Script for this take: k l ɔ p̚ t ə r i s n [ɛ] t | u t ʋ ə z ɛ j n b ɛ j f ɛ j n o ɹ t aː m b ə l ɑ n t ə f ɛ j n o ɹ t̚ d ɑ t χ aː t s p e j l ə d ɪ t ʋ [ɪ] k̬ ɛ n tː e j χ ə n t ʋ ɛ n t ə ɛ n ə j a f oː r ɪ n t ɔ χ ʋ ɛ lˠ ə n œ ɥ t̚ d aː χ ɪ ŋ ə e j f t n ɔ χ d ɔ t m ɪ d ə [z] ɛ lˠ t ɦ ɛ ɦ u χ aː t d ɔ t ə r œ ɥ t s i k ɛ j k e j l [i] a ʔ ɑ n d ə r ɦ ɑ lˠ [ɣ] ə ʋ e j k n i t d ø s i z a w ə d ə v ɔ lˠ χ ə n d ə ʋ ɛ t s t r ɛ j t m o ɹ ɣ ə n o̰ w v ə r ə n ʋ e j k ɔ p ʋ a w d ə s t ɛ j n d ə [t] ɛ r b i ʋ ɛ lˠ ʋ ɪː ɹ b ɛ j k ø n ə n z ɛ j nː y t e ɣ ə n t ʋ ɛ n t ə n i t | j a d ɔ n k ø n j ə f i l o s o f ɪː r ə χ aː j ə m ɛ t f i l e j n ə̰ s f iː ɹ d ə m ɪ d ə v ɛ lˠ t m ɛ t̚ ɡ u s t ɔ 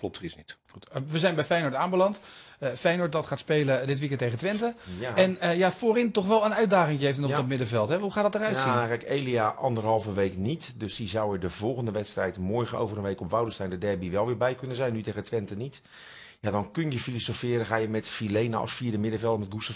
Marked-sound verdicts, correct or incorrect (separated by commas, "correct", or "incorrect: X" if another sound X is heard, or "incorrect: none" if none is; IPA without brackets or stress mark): incorrect: i, incorrect: i, incorrect: v, correct, incorrect: v, incorrect: d